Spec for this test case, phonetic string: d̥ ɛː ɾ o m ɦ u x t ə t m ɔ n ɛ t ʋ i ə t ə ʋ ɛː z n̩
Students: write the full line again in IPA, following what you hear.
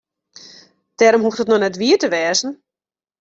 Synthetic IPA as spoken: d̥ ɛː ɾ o m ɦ u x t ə t n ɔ n ɛ t ʋ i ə t ə ʋ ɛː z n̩